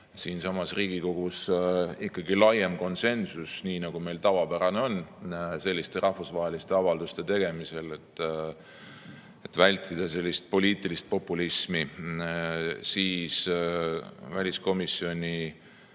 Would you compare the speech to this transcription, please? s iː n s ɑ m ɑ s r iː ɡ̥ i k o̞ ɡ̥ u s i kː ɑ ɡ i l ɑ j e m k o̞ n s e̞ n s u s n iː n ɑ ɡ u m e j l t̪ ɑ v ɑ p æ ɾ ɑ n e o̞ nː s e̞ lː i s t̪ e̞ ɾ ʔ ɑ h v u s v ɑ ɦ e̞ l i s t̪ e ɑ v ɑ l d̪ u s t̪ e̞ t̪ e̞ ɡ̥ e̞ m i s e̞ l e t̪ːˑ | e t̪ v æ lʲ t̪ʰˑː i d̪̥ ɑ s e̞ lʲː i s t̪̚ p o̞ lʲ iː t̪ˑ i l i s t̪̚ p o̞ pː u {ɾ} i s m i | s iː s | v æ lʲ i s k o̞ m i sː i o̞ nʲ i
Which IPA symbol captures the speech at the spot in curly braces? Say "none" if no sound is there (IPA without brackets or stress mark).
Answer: l